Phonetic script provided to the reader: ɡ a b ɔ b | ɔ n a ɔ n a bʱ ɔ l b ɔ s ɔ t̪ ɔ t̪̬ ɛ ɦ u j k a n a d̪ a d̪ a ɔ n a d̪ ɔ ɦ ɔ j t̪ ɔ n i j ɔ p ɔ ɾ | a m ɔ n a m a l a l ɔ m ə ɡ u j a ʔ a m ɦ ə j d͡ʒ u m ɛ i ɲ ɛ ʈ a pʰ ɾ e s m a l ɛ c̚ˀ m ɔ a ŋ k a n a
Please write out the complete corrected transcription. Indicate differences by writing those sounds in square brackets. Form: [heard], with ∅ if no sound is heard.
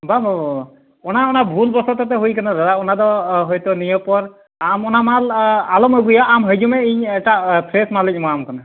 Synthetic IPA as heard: [b] a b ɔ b | ɔ n a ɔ n a bʱ [u] l b ɔ s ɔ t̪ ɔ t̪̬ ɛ ɦ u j k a n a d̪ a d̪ a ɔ n a d̪ ɔ ɦ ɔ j t̪ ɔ n i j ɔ p ɔ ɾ | a m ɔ n a m a l a l ɔ m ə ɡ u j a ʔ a m ɦ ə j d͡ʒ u m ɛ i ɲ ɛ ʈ a pʰ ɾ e s m a l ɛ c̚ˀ m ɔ a [m] k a n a